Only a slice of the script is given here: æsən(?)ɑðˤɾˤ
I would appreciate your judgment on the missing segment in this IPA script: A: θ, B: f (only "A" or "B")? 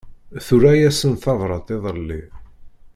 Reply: A